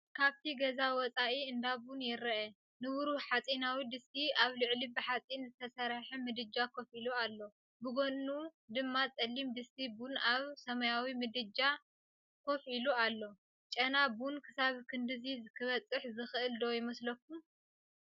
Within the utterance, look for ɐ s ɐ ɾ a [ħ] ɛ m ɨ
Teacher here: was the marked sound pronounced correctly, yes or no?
yes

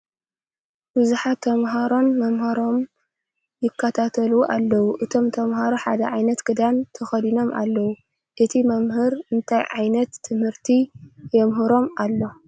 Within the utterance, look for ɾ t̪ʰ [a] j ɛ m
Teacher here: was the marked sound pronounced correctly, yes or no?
no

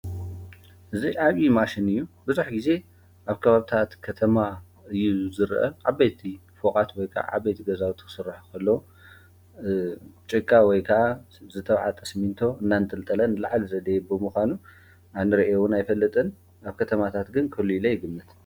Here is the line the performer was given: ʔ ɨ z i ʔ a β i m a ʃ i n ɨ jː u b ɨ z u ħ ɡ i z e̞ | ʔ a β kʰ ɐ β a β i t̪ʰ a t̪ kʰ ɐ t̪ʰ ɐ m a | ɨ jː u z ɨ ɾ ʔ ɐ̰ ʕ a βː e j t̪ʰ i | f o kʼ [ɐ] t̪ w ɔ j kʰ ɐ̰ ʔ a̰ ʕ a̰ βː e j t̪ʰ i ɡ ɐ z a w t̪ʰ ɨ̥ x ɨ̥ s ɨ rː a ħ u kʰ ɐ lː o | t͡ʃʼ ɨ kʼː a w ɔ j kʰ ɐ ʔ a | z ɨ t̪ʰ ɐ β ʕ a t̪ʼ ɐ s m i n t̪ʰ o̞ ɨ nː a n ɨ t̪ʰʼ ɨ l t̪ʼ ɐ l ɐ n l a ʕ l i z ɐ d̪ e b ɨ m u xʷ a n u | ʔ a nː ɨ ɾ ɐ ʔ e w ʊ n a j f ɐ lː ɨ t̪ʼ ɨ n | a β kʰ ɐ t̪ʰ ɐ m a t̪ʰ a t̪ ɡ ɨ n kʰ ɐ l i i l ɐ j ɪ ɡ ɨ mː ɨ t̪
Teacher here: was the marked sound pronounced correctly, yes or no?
no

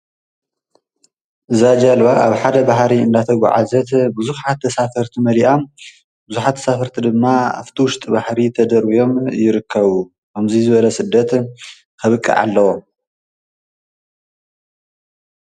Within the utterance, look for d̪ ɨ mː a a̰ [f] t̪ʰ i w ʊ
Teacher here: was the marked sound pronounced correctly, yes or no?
yes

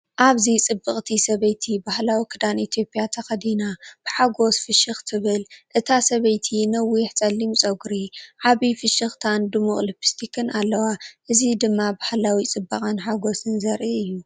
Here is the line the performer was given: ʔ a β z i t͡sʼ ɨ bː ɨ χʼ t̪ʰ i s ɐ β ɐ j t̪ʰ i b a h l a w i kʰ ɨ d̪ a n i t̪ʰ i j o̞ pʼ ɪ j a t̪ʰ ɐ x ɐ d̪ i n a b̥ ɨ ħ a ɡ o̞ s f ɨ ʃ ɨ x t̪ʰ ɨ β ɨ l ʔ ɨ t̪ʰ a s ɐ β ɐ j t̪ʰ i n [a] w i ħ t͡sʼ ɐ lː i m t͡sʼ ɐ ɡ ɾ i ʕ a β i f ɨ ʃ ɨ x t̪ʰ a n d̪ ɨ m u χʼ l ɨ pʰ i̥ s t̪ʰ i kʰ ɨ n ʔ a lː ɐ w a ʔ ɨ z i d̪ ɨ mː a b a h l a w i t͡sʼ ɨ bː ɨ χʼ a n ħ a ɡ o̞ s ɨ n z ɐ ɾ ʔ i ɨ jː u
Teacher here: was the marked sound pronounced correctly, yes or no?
no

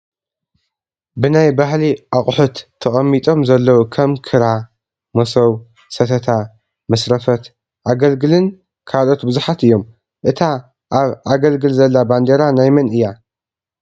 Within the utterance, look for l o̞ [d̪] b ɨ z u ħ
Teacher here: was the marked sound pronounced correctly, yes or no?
no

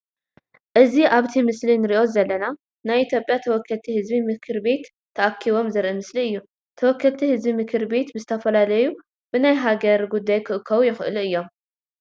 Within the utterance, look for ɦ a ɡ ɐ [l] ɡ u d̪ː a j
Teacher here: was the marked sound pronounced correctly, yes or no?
no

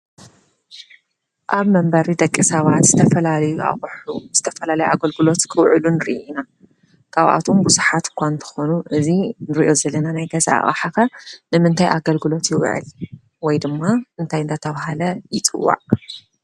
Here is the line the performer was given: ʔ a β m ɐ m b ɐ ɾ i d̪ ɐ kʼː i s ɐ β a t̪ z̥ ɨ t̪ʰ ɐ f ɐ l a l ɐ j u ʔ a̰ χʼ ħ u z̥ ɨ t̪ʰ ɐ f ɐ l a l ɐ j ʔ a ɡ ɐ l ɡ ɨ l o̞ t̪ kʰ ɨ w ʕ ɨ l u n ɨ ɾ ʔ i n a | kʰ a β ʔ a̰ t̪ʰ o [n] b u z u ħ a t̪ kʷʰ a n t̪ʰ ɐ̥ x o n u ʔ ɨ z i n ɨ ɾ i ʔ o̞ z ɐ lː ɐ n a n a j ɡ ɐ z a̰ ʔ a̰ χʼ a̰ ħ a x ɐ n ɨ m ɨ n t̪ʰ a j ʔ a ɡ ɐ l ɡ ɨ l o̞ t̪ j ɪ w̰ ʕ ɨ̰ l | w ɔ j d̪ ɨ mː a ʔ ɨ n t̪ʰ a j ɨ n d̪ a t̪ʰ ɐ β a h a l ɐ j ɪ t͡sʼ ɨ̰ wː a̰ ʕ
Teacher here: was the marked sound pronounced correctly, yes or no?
no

